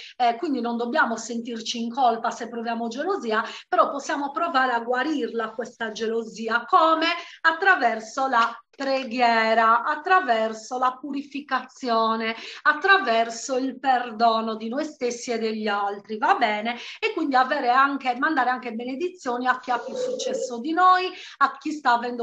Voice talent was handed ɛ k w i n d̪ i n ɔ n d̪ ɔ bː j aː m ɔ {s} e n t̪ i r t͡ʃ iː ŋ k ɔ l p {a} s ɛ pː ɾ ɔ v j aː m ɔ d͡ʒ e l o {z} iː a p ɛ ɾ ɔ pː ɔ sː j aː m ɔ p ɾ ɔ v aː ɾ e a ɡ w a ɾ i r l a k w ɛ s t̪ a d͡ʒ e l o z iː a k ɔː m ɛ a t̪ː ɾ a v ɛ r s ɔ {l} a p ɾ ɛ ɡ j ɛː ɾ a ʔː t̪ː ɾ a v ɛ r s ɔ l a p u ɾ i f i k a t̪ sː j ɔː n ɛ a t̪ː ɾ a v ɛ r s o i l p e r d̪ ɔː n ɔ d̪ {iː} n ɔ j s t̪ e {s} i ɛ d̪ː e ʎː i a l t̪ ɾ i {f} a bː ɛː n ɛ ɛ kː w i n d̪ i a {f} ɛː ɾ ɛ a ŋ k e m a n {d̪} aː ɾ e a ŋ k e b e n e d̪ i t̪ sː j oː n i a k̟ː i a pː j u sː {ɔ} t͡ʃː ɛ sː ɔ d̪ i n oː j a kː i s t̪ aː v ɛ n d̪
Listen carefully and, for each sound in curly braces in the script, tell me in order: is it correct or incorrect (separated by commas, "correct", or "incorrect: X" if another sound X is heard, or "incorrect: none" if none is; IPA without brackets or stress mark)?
correct, correct, correct, correct, incorrect: i, incorrect: sː, incorrect: v, incorrect: v, correct, incorrect: u